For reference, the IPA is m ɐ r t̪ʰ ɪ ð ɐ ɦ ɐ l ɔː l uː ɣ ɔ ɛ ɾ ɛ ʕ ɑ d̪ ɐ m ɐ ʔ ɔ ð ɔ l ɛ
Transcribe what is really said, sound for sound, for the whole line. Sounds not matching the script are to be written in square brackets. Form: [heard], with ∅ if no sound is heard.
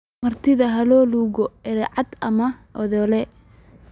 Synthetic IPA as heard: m ɐ r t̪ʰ ɪ ð ɐ ɦ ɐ l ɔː l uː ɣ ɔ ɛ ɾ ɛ ʕ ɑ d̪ ɐ m ɐ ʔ ɔ ð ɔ l ɛ